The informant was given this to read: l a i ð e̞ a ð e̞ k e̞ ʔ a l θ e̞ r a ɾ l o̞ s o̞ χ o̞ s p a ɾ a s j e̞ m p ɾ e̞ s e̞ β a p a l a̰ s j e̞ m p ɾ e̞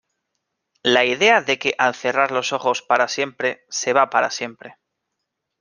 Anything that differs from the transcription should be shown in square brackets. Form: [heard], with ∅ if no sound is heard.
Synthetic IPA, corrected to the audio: l a i ð e̞ a ð e̞ k e̞ ʔ a l θ e̞ r a ɾ l o̞ s o̞ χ o̞ s p a ɾ a s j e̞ m p ɾ e̞ s e̞ β a p a [ɾ] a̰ s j e̞ m p ɾ e̞